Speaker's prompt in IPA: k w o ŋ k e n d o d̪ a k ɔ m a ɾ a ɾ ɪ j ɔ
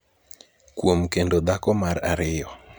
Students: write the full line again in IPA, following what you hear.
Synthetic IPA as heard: k w o m k e n d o d̪ a k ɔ m a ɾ a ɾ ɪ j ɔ